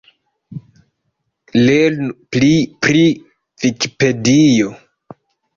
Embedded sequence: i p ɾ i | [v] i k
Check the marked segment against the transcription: correct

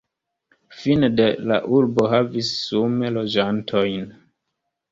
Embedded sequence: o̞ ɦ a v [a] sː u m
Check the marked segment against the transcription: incorrect: i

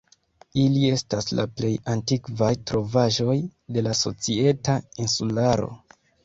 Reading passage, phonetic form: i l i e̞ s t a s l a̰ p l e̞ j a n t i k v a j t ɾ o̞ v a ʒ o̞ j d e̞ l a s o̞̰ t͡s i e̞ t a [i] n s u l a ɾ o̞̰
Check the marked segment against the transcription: correct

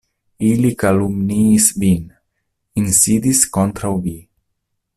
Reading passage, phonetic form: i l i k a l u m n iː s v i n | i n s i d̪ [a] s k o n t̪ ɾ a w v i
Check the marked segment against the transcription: incorrect: i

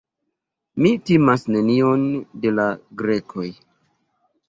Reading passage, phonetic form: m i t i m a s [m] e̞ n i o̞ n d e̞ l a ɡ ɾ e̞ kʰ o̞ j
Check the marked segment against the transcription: incorrect: n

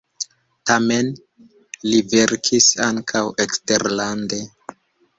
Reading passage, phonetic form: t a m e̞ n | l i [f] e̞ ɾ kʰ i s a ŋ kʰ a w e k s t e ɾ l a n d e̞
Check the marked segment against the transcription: incorrect: v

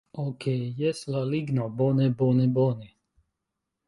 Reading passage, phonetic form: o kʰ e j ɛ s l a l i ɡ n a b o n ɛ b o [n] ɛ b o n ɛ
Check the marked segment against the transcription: correct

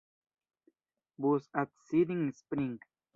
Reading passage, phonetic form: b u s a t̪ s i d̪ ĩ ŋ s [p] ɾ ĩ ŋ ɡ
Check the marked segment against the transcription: correct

